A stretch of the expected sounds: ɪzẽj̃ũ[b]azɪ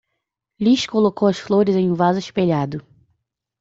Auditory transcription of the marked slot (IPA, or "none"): v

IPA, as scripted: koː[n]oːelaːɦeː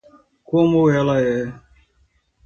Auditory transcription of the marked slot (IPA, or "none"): m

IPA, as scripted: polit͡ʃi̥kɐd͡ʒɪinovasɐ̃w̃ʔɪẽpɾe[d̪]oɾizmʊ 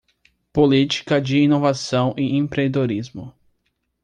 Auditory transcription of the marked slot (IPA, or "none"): d̪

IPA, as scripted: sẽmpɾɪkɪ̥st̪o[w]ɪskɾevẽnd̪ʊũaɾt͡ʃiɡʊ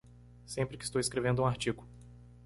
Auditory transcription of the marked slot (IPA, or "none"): w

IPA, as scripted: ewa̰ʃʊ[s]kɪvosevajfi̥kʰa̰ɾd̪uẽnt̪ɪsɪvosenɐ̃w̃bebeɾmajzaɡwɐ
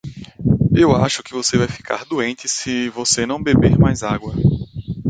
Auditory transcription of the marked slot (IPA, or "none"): none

